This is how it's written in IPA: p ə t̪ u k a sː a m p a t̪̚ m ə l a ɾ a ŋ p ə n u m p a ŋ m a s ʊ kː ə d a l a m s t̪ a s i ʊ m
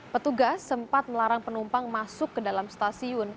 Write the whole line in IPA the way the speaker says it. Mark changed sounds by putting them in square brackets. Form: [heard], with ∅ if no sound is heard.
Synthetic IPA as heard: p ə t̪ u [ɡ] a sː [ə] m p a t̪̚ m ə l a ɾ a ŋ p ə n u m p a ŋ m a s ʊ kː ə d a l a m s t̪ a s i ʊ [n]